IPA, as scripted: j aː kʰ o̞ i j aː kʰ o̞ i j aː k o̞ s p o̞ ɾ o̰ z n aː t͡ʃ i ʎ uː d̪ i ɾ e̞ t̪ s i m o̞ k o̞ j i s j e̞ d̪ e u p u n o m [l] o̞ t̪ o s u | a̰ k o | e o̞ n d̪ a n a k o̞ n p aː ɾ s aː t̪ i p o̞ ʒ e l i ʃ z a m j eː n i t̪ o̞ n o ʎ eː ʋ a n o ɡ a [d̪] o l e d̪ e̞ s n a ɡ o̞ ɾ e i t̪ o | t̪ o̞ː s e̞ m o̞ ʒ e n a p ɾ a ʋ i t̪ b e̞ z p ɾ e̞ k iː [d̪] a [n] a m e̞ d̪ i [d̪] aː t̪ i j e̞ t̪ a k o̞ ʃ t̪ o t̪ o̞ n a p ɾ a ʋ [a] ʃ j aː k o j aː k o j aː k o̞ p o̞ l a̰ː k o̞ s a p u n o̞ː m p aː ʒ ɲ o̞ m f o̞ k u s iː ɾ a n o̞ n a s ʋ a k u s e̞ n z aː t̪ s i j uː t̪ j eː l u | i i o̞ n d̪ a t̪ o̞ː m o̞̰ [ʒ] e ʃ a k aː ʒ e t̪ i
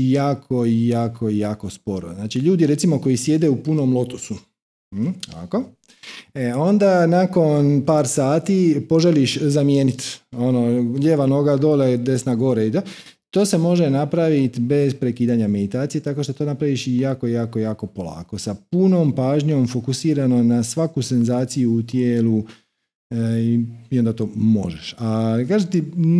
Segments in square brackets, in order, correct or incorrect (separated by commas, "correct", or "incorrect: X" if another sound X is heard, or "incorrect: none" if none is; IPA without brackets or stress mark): correct, correct, correct, incorrect: ɲ, incorrect: t̪, incorrect: i, correct